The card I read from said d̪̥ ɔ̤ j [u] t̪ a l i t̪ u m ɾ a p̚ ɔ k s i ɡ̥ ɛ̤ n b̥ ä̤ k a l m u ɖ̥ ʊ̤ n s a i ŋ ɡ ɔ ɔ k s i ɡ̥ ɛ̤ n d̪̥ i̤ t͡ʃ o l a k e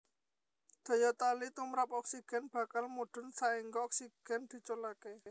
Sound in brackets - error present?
yes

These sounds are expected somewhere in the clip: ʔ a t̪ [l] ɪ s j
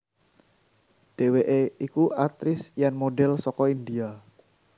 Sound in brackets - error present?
yes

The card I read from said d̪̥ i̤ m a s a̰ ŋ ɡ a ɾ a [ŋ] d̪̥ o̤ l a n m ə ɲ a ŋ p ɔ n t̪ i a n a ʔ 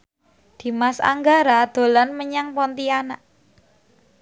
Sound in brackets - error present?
yes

